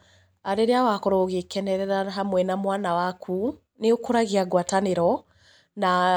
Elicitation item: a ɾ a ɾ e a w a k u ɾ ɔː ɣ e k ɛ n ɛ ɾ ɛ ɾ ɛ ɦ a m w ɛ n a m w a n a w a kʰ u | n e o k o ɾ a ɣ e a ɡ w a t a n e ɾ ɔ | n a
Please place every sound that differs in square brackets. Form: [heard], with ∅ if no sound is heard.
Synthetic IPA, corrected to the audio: a ɾ [e] ɾ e a w a k [ɔ] ɾ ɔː ɣ e k ɛ n ɛ ɾ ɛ ɾ [a] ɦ a m w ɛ n a m w a n a w a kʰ u | n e o k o ɾ a ɣ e a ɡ w a t a n e ɾ ɔ | n a